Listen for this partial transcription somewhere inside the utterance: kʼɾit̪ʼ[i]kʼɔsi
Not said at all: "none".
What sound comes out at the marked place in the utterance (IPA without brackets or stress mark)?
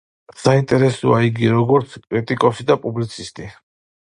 i